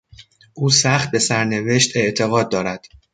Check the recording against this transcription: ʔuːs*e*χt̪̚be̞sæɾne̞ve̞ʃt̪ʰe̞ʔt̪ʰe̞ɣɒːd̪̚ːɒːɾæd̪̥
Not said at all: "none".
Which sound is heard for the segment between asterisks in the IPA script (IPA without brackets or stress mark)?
æ